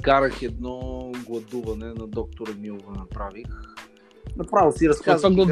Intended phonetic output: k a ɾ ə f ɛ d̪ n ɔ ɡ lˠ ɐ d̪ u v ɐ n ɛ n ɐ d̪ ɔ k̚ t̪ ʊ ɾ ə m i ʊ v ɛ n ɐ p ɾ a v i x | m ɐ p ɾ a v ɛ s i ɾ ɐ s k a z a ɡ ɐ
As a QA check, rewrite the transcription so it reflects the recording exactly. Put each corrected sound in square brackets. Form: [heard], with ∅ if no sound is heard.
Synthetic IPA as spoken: k a ɾ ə [x] ɛ d̪ n ɔ ɡ lˠ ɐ d̪ u v ɐ n ɛ n ɐ d̪ ɔ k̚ t̪ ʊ ɾ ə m i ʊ v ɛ n ɐ p ɾ a v i x | [n] ɐ p ɾ a v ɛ s i ɾ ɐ s k a z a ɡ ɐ